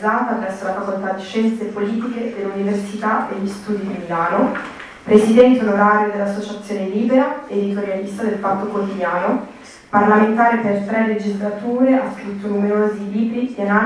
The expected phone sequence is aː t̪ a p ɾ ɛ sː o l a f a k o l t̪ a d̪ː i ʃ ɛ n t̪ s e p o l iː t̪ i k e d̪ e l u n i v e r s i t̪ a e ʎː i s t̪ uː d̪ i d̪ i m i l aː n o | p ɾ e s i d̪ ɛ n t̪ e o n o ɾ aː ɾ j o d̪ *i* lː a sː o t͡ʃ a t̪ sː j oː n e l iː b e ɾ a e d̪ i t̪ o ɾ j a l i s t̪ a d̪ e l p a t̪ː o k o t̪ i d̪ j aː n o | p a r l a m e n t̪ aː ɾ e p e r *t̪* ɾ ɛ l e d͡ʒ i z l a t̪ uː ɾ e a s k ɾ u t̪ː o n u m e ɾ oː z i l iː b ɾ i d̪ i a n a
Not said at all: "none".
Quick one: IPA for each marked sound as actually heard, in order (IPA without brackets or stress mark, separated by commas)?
e, t̪